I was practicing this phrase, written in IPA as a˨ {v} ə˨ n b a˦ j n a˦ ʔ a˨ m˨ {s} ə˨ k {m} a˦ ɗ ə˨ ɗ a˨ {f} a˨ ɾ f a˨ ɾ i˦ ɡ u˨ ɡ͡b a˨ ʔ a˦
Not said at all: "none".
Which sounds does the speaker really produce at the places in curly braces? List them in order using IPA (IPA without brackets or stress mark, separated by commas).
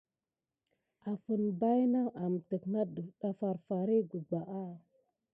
f, t, n, f